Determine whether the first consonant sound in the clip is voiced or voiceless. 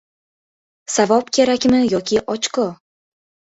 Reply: voiceless